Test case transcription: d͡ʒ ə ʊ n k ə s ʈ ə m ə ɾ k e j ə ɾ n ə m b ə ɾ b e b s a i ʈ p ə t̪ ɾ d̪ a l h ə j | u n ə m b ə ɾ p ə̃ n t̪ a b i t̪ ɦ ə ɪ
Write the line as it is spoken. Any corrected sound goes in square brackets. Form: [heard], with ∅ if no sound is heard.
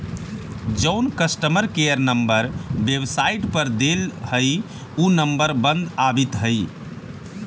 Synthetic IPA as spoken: d͡ʒ ə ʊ n k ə s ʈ ə m ə ɾ k e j ə ɾ n ə m b ə ɾ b e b s a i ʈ p ə [∅] ɾ d̪ [e] l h ə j | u n ə m b ə ɾ [b] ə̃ n [d̪] a b i t̪ ɦ ə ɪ